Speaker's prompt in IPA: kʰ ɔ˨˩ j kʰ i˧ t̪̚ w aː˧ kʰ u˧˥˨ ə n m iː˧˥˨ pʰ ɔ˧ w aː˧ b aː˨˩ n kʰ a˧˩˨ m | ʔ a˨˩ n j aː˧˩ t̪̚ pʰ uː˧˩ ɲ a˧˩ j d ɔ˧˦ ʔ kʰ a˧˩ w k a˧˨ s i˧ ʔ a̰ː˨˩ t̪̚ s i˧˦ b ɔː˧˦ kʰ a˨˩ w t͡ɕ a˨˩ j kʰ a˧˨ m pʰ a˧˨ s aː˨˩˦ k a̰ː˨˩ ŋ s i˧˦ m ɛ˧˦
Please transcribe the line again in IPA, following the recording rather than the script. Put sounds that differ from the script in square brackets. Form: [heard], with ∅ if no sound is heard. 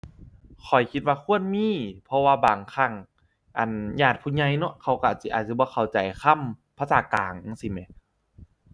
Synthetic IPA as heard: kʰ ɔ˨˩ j kʰ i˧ t̪̚ w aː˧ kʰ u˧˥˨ ə n m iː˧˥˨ pʰ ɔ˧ w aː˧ b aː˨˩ [ŋ] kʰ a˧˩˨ [ŋ] | ʔ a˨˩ n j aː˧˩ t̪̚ pʰ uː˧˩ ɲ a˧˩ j [n] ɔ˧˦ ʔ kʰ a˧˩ w k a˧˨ s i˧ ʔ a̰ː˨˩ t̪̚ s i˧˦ b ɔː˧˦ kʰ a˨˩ w t͡ɕ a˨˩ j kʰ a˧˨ m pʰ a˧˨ s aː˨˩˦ k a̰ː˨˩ ŋ s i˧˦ m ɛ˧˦